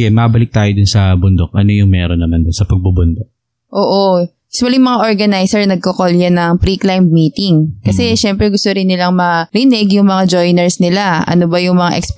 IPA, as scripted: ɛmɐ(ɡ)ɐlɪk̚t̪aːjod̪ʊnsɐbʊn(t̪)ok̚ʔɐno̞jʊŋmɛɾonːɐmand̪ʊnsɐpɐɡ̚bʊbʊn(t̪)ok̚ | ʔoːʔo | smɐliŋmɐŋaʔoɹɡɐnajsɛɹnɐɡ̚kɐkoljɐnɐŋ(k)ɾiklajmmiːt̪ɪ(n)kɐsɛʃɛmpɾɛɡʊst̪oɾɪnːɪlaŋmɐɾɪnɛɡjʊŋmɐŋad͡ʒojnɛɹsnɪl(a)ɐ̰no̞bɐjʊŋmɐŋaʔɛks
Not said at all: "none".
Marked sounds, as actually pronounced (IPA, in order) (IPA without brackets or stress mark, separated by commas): b, d̪, d̪, p, ŋ, a